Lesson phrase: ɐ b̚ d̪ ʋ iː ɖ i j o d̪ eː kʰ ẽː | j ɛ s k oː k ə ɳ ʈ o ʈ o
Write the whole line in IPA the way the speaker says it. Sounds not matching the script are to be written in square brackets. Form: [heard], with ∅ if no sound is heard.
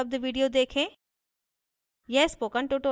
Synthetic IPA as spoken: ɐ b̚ d̪ ʋ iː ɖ i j o d̪ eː kʰ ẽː | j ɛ s [p] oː k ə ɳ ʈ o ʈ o